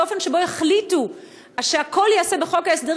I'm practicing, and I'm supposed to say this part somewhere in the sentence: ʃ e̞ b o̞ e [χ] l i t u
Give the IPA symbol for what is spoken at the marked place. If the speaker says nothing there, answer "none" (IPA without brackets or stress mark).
χ